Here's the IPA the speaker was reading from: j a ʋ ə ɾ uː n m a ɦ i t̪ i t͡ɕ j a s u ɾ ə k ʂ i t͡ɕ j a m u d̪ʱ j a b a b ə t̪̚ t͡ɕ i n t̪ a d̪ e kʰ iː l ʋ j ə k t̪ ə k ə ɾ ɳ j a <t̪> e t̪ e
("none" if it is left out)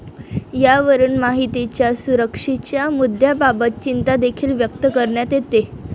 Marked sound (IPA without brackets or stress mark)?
t̪